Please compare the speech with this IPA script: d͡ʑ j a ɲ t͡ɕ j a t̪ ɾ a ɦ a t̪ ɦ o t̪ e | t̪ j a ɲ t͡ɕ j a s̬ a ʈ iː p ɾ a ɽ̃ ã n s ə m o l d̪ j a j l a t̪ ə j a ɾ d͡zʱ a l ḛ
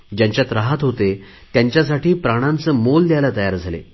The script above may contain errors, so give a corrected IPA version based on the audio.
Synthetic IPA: d͡ʑ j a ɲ t͡ɕ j a t̪ ɾ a ɦ a t̪ ɦ o t̪ e | t̪ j a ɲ t͡ɕ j a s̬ a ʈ iː p ɾ a ɽ̃ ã n t͡s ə m o l d̪ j a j l a t̪ ə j a ɾ d͡zʱ a l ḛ